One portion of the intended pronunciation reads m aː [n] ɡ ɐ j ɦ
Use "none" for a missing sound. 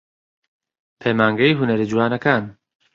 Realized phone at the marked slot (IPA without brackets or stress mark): ŋ